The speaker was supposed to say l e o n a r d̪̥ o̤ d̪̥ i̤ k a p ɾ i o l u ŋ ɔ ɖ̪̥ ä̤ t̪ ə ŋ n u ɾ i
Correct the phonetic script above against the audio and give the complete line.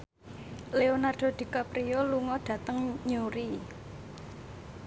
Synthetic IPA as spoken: l e o n a r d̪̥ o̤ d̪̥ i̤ k a p ɾ i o l u ŋ ɔ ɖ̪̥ ä̤ t̪ ə ŋ ɲ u ɾ i